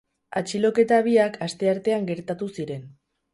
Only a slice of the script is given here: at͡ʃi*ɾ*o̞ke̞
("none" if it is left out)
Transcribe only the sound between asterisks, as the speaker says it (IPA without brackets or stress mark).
l